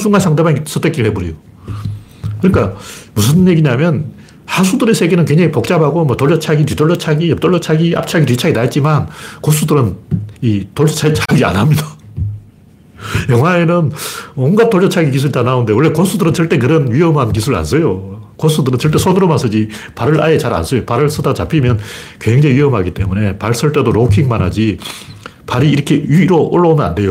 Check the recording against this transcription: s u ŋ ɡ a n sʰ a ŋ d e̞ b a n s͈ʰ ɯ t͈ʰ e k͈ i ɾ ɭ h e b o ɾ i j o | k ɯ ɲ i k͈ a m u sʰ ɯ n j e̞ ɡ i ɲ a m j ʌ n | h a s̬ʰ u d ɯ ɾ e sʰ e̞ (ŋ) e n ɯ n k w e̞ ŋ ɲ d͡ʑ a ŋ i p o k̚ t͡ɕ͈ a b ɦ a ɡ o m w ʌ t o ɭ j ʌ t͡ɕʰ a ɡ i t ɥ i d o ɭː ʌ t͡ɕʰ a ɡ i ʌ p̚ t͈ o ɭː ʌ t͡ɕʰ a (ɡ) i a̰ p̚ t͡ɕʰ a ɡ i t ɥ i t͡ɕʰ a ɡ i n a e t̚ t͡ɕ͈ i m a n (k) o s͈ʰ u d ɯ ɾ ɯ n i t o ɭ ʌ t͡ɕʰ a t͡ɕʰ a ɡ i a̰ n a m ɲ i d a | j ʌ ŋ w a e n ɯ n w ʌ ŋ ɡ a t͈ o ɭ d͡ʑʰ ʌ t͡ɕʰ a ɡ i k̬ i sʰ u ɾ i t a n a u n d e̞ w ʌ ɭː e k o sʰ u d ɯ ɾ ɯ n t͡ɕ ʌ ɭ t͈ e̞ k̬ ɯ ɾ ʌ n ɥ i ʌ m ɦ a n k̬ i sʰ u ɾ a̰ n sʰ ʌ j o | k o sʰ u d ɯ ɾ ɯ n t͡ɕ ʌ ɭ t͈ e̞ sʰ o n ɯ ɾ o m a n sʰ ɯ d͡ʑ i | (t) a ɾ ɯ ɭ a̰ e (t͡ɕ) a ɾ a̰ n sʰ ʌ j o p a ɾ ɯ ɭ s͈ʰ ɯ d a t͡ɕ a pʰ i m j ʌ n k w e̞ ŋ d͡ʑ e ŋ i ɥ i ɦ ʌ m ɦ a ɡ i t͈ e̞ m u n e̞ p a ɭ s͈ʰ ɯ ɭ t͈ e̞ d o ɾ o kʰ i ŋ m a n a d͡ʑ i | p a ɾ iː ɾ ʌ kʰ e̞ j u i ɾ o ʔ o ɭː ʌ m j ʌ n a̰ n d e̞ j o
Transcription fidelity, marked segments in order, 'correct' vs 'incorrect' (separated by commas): incorrect, correct, correct, incorrect, correct